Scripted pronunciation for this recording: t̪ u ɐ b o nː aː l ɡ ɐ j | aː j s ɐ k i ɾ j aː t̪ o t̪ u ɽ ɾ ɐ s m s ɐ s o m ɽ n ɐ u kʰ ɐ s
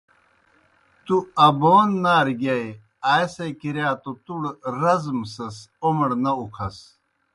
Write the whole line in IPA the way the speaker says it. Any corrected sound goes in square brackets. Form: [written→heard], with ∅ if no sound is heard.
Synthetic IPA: t̪ u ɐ b o nː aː [l→ɾ] ɡ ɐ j | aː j s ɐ k i ɾ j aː t̪ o t̪ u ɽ ɾ ɐ [s→z] m s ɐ s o m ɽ n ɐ u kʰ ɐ s